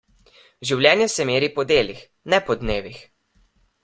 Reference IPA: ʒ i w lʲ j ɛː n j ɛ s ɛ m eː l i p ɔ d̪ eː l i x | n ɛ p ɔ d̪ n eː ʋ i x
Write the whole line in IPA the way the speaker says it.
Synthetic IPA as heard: ʒ i w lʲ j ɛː n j ɛ s ɛ m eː ɾ i p ɔ d̪ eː l i x | n ɛ p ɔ d̪ n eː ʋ i x